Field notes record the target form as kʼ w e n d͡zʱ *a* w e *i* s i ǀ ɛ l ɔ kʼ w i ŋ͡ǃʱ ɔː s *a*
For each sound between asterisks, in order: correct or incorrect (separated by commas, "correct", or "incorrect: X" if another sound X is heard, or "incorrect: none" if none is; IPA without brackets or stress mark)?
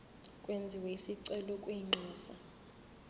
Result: incorrect: i, correct, correct